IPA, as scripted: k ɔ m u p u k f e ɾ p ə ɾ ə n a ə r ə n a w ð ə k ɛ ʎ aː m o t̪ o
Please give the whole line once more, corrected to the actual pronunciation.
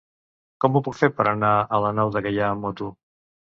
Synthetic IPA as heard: k ɔ m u p u k f e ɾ p ə ɾ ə n a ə l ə n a w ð ə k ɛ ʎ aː m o t̪ u